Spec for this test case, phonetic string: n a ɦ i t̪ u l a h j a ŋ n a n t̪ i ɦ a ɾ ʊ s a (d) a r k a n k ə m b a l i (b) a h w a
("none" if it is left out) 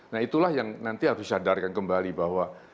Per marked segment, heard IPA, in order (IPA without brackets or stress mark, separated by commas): d, b